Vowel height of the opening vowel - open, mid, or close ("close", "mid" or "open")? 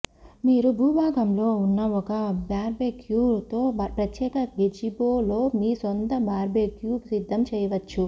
close